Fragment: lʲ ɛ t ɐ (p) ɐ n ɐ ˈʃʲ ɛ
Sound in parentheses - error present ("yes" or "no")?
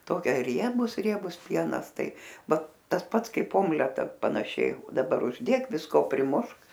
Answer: no